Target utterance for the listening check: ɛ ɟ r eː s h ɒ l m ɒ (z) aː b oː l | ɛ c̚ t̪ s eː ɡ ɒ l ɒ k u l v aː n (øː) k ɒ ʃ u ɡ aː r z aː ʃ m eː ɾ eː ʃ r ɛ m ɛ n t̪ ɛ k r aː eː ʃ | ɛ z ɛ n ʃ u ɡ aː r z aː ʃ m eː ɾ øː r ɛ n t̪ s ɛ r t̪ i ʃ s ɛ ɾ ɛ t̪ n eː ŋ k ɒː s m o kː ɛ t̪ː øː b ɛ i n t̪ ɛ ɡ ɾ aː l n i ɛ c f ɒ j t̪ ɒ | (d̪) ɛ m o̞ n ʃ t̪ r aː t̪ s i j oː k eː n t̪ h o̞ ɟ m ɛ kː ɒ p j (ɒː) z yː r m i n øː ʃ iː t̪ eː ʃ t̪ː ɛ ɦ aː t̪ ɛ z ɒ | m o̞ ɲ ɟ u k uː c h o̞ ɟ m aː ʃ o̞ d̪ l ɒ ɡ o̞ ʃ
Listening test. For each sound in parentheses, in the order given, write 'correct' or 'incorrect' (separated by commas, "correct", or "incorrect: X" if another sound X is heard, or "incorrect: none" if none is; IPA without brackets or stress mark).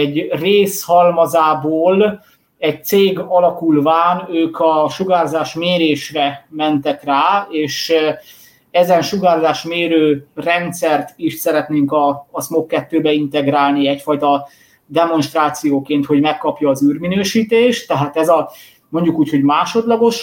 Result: correct, correct, correct, correct